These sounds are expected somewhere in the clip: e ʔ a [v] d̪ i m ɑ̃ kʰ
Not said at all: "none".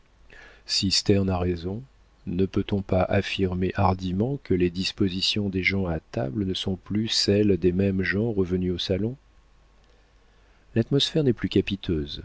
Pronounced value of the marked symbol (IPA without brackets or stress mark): ʁ